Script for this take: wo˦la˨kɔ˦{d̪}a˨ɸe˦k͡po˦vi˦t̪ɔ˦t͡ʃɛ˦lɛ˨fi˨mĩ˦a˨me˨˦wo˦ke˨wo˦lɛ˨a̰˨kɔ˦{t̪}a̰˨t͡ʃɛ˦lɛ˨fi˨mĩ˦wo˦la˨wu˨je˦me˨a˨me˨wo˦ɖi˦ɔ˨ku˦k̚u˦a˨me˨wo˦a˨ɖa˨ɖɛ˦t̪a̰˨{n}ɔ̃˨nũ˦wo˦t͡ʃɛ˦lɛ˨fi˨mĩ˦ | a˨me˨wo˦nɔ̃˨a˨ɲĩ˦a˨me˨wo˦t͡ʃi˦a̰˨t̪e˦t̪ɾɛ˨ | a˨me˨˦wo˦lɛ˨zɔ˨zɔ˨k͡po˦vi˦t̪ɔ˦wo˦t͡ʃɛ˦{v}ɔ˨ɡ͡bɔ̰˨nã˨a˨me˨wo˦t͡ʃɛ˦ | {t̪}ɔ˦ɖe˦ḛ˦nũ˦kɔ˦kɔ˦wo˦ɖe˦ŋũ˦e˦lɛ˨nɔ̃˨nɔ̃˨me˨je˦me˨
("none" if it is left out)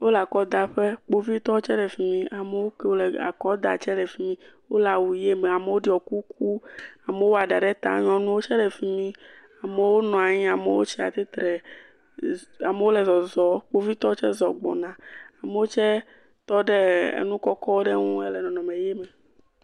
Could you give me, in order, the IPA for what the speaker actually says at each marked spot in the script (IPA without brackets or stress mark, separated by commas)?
d̪, d̪, ɲ, z, t̪